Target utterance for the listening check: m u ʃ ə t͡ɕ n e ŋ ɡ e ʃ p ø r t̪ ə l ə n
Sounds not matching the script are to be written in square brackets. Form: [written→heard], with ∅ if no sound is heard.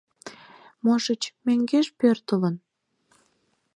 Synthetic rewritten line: m [u→o] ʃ ə t͡ɕ [n→m] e ŋ ɡ e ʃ p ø r t̪ ə l ə n